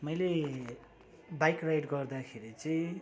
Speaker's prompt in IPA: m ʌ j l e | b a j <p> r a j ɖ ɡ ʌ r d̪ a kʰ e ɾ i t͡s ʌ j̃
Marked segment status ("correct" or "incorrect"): incorrect